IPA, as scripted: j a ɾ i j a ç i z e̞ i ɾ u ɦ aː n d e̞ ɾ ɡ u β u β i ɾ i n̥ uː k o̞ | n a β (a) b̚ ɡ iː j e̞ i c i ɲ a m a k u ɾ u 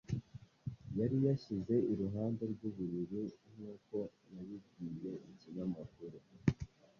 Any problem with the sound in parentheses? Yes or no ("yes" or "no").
yes